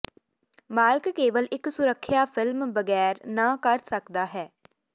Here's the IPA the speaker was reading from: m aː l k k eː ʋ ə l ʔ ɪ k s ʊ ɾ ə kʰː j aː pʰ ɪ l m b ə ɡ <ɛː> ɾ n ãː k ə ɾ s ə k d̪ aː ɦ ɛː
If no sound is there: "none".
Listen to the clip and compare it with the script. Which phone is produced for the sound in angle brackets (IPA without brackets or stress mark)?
ɛː